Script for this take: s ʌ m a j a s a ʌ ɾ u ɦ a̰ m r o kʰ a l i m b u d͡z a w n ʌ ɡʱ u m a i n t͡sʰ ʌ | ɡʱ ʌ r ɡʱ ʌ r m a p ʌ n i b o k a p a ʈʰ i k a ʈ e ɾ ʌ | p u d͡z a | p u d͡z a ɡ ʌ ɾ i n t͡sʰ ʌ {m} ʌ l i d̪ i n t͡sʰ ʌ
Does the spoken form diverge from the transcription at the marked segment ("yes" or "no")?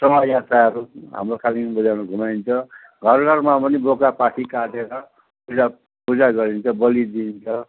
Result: yes